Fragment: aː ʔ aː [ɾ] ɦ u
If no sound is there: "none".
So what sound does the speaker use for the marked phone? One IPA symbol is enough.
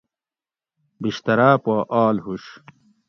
l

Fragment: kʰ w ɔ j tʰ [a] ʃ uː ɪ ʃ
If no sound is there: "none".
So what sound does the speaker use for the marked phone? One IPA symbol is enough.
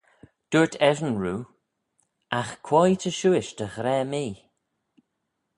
ə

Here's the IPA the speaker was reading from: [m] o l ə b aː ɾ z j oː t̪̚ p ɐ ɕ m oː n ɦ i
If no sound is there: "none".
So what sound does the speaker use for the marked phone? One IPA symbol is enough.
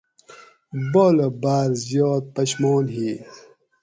b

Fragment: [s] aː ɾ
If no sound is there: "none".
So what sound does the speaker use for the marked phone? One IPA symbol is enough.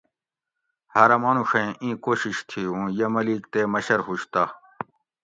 h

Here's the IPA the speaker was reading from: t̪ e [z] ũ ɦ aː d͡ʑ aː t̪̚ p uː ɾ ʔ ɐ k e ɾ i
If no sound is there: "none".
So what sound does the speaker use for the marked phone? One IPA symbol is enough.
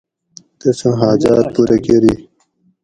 s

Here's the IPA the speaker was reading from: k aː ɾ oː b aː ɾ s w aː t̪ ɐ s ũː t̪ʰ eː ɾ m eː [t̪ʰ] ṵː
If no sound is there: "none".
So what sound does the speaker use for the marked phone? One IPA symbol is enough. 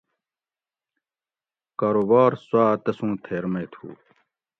t̪ʰ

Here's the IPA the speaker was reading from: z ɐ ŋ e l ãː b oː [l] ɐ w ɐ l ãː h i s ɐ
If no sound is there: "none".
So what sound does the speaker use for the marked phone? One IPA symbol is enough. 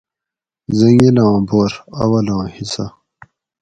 ɾ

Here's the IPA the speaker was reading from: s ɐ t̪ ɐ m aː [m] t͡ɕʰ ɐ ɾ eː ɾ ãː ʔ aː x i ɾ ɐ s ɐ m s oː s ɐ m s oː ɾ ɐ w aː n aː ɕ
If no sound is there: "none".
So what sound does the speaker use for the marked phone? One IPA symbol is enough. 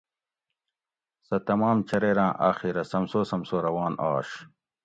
m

